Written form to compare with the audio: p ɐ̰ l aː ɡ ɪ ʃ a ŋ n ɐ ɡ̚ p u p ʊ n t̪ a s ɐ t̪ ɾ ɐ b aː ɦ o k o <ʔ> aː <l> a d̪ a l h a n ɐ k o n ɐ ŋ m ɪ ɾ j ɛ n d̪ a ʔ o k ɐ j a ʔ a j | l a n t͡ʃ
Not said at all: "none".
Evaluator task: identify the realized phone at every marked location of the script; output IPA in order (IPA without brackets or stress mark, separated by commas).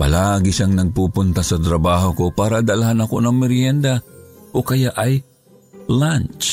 p, ɾ